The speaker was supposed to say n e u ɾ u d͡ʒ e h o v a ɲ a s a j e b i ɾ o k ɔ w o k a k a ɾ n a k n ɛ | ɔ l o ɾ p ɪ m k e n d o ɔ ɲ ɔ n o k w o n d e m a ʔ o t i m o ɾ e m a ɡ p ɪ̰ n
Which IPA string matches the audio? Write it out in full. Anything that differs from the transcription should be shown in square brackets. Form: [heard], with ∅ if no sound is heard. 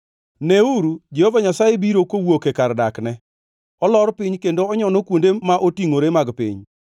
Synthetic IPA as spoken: n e u ɾ u d͡ʒ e h o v a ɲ a s a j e b i ɾ o k [o] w o k [e] k a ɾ [d] a k n ɛ | ɔ l [ɔ] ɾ p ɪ [ɲ] k e n d o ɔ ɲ ɔ n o k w o n d e m a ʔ o t i [ŋ] o ɾ e m a ɡ p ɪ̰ [ɲ]